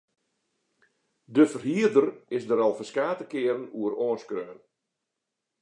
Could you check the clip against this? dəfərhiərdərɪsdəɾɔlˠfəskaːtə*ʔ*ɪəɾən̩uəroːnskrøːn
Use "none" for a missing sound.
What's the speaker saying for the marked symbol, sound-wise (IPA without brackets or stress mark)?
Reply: k